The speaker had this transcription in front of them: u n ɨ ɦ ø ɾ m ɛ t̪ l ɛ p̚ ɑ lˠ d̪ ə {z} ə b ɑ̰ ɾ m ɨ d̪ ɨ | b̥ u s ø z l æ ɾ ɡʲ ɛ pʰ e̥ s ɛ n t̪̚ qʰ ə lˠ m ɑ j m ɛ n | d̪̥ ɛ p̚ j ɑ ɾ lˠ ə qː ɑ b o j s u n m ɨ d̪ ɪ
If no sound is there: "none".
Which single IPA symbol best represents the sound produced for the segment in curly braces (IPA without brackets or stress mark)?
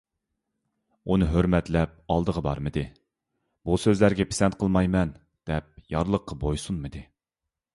ʁ